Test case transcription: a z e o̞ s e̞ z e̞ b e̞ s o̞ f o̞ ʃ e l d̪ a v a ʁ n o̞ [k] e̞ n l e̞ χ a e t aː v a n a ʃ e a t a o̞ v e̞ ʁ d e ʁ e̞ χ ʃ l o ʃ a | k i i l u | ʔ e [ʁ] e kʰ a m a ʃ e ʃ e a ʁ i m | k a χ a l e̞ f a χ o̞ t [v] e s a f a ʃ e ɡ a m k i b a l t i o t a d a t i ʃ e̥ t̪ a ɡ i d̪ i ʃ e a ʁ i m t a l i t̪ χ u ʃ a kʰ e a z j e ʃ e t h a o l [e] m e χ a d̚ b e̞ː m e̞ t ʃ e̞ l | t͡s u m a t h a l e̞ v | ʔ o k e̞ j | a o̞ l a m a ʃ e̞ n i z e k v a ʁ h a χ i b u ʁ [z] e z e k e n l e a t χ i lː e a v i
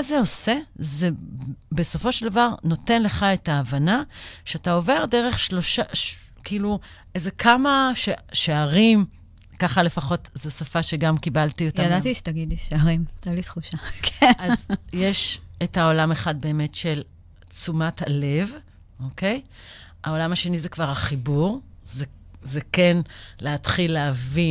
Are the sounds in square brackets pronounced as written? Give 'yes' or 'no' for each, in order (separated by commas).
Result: no, no, no, no, yes